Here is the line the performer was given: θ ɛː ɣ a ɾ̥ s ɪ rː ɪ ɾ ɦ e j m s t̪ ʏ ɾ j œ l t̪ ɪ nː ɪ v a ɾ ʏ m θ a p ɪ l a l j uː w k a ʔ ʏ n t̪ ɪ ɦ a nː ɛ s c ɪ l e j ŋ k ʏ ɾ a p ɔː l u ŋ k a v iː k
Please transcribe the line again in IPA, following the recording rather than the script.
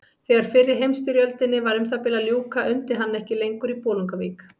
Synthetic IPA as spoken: θ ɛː ɣ a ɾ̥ f ɪ rː ɪ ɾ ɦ e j m s t̪ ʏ ɾ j œ l t̪ ɪ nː ɪ v a ɾ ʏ m θ a p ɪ l a l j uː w k a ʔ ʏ n t̪ ɪ ɦ a nː ɛ h c ɪ l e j ŋ k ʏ ɾ i p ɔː l u ŋ k a v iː k